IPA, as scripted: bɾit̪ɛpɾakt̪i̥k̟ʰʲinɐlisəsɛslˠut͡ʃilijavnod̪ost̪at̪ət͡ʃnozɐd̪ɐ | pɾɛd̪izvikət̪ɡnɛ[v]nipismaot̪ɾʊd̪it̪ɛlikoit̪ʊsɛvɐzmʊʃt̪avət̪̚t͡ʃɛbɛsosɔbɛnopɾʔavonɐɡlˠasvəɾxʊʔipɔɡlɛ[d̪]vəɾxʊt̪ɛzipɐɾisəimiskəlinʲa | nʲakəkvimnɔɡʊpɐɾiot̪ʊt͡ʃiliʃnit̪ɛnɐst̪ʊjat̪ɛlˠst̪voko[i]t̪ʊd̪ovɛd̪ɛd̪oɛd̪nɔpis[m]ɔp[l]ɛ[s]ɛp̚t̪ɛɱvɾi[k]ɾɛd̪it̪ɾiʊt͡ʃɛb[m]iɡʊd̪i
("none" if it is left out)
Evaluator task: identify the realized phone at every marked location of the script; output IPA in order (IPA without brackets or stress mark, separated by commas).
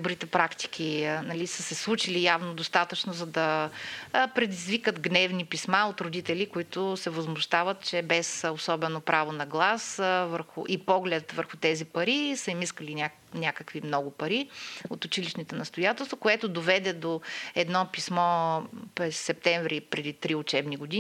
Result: v, t̪, ɛ, m, ɾ, sː, p, n